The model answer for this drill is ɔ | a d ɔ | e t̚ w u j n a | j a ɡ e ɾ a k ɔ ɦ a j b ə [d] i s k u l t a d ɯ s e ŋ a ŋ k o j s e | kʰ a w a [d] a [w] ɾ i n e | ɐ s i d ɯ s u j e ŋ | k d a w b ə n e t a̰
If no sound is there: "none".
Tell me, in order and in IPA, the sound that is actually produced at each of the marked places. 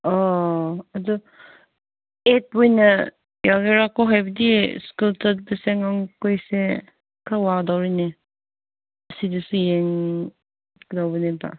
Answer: d, d, w

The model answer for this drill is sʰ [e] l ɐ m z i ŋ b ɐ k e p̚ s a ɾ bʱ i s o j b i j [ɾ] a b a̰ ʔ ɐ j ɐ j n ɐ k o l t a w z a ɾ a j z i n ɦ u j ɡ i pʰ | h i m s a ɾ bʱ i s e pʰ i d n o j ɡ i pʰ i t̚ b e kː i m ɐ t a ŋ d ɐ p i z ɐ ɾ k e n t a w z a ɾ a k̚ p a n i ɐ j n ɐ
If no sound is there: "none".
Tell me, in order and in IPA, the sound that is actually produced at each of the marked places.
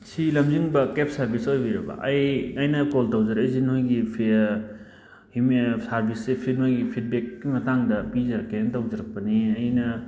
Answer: i, ɾ

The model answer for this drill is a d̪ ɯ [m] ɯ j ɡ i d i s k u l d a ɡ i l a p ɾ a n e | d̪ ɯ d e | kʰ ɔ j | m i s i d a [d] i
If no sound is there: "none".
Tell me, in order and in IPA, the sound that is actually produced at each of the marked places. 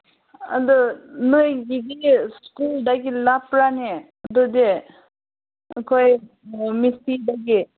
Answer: n, ɡ

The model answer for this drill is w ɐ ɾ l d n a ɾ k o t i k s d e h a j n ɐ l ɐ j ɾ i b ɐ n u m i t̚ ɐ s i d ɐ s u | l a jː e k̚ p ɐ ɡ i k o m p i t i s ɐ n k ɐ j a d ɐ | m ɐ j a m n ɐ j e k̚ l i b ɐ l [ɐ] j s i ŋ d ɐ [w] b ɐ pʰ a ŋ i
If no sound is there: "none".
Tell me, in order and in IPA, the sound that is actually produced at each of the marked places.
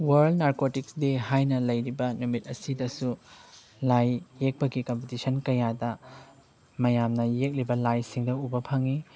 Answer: a, u

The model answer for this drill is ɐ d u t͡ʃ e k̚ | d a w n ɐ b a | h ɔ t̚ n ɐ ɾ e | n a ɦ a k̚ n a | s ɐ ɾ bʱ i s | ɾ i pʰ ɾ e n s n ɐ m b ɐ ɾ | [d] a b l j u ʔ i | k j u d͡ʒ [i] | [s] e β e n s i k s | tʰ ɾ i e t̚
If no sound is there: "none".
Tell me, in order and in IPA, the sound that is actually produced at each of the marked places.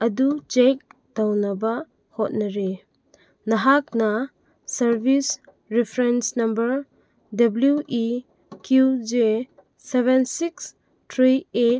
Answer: d, e, s

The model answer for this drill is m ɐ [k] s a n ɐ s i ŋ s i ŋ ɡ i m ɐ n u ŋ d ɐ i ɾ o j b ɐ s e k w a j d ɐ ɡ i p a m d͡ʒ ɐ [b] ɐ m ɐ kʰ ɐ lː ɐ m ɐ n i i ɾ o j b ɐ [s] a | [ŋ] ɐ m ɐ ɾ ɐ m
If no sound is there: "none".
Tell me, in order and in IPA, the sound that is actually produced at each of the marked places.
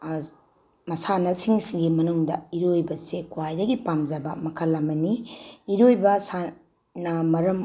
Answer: none, b, s, n

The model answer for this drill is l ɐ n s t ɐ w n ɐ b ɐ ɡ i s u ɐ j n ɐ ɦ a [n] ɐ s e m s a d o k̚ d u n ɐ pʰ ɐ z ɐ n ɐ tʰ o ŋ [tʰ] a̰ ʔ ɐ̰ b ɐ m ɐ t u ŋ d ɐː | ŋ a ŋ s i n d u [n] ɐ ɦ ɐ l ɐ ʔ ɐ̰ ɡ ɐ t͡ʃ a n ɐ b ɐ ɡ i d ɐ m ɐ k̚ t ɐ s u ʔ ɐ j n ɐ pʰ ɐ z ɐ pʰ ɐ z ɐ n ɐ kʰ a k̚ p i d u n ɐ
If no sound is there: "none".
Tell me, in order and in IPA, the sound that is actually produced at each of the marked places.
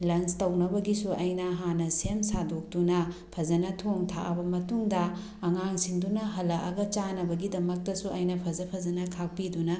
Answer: n, tʰ, n

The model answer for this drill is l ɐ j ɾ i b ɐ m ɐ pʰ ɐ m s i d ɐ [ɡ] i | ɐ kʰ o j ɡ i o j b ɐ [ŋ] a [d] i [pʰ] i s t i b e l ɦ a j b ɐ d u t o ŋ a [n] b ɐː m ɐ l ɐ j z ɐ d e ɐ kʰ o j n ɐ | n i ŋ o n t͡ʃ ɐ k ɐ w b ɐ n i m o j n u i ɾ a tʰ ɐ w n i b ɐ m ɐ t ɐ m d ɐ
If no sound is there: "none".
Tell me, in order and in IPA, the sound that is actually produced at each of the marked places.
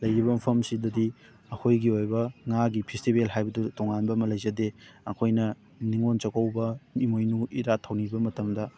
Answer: d, ŋ, ɡ, pʰ, n

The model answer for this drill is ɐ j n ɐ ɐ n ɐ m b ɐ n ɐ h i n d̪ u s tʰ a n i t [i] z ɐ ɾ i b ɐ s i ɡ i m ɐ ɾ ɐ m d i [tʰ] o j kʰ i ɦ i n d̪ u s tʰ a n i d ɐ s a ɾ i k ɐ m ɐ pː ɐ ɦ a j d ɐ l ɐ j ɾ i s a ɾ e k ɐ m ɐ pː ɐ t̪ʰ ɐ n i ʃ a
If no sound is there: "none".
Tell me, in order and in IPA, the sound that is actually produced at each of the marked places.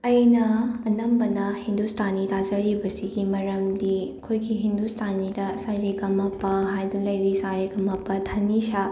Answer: a, kʰ

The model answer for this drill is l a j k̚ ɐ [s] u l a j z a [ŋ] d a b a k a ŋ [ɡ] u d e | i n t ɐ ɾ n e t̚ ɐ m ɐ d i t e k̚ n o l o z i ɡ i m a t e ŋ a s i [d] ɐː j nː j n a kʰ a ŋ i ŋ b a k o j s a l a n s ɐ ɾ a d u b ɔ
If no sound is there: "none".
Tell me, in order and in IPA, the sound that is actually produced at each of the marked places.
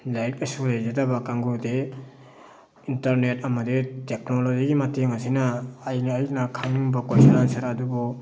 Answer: s, none, ɡ, n

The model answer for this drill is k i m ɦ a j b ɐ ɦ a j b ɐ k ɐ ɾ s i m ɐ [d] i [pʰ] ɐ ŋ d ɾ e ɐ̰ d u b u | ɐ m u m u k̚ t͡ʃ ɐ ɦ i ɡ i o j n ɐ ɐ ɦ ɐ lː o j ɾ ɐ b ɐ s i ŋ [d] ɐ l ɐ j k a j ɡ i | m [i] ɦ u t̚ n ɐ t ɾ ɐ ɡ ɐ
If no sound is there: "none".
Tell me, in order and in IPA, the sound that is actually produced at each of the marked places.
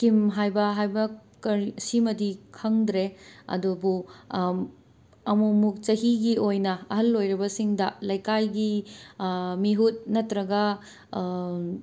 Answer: d, kʰ, d, i

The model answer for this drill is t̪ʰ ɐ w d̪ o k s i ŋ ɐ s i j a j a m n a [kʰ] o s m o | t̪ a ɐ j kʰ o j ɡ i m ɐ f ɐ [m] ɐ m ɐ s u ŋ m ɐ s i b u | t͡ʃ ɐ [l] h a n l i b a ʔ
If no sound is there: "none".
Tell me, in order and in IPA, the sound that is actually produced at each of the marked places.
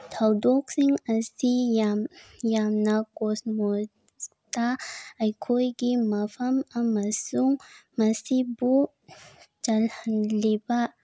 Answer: k, m, l

